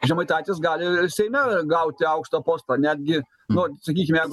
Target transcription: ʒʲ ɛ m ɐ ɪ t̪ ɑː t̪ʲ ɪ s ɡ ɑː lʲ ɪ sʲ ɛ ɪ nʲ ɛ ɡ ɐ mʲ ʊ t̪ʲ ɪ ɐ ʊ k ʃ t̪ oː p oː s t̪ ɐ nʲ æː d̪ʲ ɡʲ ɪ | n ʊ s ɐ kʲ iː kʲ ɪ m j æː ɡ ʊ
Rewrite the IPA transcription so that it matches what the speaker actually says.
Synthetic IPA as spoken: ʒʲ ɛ m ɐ ɪ t̪ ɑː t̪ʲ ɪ s ɡ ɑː lʲ ɪ sʲ ɛ ɪ mʲ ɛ ɡ ɐ ʊ t̪ʲ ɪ ɐ ʊ k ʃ t̪ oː p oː s t̪ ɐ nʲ æː d̪ʲ ɡʲ ɪ | n ʊ s ɐ kʲ iː kʲ ɪ m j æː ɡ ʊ